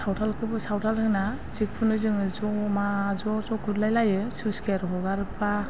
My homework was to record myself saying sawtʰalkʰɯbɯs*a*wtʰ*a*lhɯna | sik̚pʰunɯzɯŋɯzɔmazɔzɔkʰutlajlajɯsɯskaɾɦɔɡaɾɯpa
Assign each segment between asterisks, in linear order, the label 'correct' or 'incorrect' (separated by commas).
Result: correct, correct